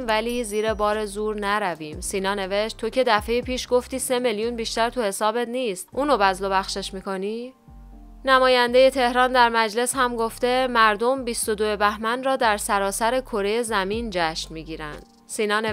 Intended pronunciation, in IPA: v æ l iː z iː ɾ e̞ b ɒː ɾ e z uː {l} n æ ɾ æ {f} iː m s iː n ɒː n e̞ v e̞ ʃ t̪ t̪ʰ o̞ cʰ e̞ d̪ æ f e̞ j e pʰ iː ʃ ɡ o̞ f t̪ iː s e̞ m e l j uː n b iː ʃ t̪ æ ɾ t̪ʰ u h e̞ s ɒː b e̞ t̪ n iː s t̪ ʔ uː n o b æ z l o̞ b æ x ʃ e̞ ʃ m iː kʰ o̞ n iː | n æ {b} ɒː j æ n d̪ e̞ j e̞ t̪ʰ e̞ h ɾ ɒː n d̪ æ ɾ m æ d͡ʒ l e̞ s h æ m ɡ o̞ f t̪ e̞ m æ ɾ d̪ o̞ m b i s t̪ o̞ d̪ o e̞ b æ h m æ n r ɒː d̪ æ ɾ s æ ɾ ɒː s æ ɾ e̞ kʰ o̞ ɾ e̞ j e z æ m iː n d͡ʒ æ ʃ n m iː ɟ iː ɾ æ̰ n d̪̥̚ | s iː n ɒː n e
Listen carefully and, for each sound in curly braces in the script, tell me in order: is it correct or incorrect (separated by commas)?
incorrect, incorrect, incorrect